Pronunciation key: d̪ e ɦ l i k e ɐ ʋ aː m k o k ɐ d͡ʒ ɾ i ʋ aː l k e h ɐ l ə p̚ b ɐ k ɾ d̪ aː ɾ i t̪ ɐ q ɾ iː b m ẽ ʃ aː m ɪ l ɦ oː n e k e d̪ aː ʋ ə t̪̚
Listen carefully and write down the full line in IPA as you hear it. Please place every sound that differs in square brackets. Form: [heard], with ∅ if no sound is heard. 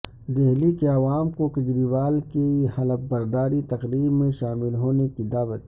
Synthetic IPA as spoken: d̪ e ɦ l i k e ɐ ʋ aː m k o k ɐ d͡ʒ ɾ i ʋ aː l k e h ɐ l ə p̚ b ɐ [∅] ɾ d̪ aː ɾ i t̪ ɐ q ɾ iː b m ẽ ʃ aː m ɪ l ɦ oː n e k [i] d̪ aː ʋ ə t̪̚